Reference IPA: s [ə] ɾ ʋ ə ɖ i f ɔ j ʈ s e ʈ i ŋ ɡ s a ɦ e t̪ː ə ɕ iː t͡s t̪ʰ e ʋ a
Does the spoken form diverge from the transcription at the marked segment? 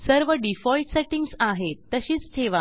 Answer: no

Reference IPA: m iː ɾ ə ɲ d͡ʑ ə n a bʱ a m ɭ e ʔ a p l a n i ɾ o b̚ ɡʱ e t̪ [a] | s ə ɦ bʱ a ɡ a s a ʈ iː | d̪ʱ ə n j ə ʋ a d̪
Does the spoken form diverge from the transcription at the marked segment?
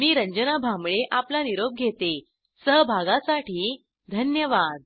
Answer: yes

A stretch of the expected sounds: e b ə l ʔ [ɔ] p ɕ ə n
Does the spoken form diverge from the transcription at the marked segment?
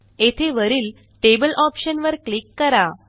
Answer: no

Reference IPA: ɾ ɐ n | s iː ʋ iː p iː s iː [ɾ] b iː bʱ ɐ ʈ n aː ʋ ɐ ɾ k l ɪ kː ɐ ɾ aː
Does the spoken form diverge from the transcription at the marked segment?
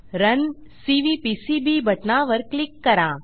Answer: yes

